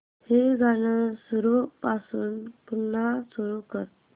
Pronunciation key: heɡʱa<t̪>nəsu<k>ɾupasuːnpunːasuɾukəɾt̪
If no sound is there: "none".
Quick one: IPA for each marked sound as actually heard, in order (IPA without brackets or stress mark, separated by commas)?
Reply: none, none